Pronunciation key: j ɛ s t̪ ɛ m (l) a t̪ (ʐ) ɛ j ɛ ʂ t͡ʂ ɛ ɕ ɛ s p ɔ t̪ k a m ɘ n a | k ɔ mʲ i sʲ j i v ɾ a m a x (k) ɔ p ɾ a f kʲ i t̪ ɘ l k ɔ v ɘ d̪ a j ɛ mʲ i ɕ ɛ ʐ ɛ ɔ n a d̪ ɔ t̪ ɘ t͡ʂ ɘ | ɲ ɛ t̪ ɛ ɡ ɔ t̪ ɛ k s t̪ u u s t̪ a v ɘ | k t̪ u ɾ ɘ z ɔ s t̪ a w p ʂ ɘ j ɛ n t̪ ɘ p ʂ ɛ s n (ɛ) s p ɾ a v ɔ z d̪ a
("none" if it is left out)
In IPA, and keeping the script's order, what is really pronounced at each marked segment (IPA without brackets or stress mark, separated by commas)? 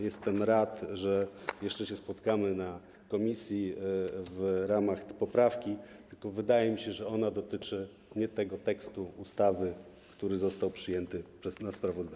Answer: ɾ, ʐ, p, a